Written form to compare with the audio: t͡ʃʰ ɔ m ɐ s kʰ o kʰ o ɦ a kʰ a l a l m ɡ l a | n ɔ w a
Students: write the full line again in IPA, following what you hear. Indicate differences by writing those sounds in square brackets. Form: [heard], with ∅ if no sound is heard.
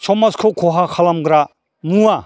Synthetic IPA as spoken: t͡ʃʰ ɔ m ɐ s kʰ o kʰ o ɦ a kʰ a l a [∅] m ɡ [ɾ] a | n [u] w a